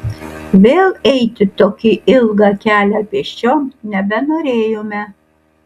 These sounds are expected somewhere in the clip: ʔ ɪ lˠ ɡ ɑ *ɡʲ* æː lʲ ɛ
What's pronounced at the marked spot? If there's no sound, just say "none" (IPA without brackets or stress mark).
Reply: kʲ